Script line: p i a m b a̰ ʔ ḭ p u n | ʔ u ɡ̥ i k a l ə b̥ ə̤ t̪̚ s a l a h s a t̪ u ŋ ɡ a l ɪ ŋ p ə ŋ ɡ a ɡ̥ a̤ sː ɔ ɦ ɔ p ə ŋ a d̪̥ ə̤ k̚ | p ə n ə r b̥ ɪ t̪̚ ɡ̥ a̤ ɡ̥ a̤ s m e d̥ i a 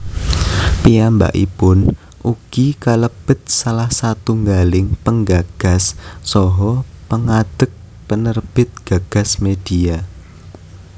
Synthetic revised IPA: p i a m b a̰ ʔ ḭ p ʊ n | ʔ u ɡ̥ i k a l ə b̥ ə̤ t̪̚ s a l a h s a t̪ u ŋ ɡ a l ɪ ŋ p ə ŋ ɡ a ɡ̥ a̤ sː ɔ ɦ ɔ p ə ŋ a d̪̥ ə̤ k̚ | p ə n ə r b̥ ɪ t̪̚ ɡ̥ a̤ ɡ̥ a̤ s m e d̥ i a